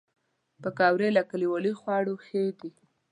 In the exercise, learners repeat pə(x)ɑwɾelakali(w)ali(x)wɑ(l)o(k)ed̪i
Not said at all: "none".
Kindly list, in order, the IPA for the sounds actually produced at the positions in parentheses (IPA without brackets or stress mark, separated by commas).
k, w, x, ɽ, x